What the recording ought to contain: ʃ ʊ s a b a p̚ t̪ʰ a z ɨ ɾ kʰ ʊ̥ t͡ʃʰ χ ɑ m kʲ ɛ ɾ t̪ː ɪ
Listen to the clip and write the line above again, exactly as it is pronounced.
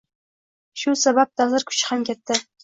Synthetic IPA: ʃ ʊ s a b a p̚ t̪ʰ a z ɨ ɾ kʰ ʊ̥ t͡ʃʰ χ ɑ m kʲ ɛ t̪ː ɪ